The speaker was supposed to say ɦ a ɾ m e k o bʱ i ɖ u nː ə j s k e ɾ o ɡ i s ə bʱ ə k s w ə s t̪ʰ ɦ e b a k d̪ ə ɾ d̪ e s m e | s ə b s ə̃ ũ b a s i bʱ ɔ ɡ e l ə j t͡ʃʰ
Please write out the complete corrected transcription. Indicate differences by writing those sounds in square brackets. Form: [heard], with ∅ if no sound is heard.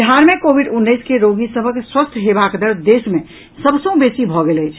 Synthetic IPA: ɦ a ɾ m e k o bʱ i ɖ u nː ə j s k e ɾ o ɡ i s ə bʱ ə k s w ə s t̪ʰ ɦ e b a k d̪ ə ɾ d̪ e s m e | s ə b s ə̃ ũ b [e] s i bʱ ɔ ɡ e l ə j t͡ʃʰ